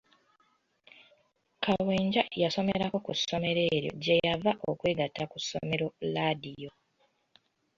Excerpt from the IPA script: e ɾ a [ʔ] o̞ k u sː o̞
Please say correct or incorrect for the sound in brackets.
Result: incorrect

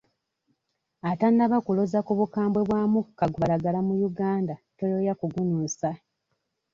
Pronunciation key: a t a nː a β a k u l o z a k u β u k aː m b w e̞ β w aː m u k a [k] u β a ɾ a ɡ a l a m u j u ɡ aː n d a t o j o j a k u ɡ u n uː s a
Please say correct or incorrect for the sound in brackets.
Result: incorrect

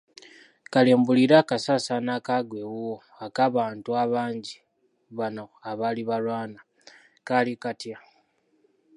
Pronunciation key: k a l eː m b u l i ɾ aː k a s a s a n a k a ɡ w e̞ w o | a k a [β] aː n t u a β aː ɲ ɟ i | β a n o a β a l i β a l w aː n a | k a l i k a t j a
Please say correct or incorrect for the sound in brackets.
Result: correct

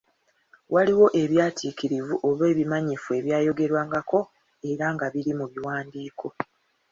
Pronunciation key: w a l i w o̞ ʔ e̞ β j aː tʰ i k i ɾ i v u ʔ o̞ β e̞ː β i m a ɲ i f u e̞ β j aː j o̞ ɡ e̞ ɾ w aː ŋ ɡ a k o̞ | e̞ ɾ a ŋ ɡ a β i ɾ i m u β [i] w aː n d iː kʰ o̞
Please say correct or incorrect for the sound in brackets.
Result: correct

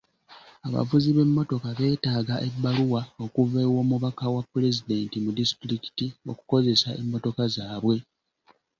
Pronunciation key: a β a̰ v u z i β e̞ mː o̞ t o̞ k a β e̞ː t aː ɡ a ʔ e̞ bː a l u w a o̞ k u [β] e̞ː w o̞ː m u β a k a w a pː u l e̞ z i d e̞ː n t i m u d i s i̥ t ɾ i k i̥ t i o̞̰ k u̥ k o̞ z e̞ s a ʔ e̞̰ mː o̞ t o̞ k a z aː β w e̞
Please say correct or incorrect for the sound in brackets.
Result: incorrect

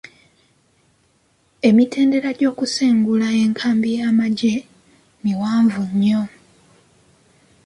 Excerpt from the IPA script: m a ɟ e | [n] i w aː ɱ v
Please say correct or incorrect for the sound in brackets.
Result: incorrect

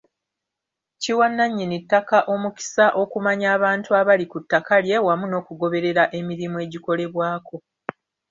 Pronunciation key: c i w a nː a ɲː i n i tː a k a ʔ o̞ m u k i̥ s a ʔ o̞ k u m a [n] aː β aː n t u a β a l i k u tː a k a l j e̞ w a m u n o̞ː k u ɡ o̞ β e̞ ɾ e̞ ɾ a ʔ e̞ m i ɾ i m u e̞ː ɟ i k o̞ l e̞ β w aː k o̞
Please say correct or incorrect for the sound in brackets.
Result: incorrect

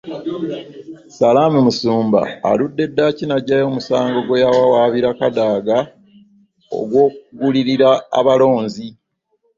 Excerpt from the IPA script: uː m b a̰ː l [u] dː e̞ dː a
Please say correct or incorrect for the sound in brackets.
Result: correct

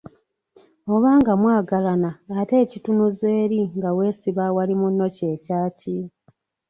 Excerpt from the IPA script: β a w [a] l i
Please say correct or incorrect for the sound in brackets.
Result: correct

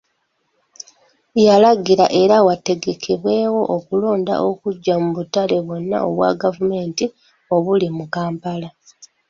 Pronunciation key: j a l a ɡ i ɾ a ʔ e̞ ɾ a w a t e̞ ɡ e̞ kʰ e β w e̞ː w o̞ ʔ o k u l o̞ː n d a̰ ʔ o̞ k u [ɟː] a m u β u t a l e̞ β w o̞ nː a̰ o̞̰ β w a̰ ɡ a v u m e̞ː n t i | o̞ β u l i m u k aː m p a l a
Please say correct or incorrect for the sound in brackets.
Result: correct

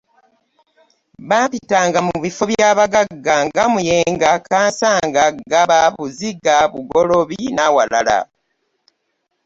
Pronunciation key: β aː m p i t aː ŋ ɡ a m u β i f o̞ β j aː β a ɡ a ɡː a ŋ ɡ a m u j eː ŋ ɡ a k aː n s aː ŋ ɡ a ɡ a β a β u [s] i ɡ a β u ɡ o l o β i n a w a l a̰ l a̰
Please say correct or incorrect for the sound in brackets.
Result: incorrect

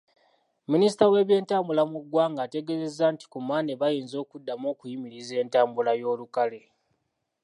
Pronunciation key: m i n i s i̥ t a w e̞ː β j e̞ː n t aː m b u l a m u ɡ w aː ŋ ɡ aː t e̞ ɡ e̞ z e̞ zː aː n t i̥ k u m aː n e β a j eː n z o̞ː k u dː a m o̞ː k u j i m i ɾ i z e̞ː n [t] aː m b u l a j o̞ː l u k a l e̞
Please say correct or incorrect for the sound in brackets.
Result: correct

